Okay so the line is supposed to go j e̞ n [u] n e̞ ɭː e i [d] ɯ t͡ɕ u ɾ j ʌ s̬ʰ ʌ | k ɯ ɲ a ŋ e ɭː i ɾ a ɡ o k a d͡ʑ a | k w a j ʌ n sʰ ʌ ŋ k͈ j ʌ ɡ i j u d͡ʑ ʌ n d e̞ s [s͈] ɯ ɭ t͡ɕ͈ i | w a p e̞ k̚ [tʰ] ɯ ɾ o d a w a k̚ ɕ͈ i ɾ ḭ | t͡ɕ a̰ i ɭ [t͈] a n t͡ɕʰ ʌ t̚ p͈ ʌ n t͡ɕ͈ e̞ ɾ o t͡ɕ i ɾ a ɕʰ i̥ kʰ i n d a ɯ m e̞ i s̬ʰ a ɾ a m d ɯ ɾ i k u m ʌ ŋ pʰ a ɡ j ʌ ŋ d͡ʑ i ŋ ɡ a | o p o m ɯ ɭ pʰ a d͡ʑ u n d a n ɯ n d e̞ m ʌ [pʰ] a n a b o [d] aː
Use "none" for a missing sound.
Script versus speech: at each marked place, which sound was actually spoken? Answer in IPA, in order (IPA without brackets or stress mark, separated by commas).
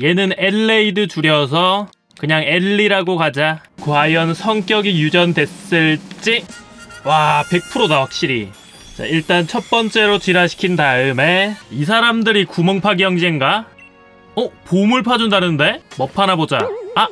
ɯ, d, s͈, pʰ, t͈, pʰ, d͡ʑ